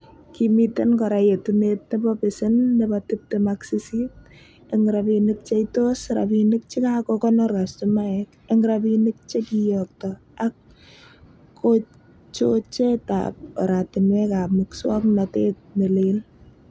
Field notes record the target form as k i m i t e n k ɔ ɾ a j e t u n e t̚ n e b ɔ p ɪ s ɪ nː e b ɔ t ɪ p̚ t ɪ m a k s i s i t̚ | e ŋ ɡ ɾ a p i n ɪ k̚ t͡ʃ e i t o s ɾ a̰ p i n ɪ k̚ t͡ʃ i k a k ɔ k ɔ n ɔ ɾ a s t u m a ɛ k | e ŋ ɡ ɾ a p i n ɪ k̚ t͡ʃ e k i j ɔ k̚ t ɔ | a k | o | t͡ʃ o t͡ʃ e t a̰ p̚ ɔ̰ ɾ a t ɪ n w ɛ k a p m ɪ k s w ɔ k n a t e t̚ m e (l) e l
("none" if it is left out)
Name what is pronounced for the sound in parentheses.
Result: l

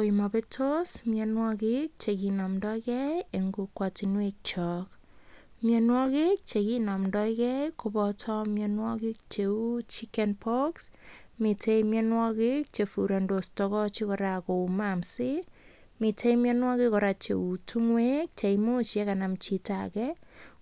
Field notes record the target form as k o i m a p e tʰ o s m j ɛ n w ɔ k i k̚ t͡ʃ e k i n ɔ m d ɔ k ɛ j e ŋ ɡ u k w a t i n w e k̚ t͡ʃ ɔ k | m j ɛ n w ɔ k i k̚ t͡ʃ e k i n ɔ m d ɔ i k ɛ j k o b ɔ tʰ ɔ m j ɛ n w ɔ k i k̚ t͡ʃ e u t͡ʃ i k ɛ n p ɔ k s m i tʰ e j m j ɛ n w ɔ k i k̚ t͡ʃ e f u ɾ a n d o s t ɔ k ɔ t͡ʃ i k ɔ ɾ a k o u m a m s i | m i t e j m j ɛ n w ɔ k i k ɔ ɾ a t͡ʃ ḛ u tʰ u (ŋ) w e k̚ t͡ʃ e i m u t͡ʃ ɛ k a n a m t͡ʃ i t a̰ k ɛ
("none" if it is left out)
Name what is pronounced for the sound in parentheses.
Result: ŋ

